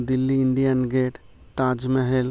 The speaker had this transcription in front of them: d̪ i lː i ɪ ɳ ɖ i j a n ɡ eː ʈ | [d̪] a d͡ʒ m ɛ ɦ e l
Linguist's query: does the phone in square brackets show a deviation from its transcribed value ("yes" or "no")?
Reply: yes